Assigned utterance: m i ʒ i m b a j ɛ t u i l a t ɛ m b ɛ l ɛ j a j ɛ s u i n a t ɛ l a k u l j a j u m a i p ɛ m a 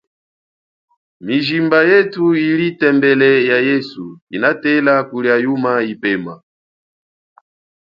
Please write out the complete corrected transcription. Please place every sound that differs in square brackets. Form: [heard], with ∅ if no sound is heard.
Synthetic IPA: m i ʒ i m b a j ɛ t u i l [i] t ɛ m b ɛ l ɛ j a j ɛ s u i n a t ɛ l a k u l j a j u m a i p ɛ m a